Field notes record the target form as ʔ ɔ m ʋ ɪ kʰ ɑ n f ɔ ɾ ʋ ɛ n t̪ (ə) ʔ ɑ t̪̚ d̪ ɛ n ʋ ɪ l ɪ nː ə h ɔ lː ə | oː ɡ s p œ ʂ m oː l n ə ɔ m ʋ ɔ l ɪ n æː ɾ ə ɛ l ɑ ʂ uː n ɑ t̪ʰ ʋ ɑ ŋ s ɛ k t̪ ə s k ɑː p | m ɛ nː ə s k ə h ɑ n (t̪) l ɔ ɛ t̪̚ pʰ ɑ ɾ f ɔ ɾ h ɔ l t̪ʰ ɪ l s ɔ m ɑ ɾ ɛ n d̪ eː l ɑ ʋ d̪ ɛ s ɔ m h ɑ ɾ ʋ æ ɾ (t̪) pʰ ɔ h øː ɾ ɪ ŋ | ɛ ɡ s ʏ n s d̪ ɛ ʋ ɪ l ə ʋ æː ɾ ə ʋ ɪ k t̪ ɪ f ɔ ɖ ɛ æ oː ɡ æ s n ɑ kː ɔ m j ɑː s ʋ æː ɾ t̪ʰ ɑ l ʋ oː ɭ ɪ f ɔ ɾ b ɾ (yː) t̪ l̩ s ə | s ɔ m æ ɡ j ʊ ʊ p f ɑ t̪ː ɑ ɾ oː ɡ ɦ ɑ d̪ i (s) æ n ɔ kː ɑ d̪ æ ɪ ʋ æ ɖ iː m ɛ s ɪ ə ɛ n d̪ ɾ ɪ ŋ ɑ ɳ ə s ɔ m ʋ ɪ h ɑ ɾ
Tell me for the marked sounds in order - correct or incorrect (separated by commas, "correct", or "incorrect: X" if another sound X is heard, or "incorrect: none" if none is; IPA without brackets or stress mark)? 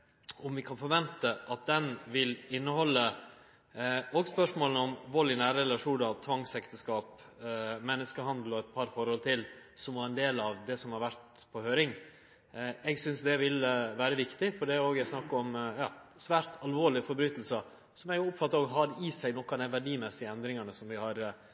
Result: correct, incorrect: d̪, correct, correct, correct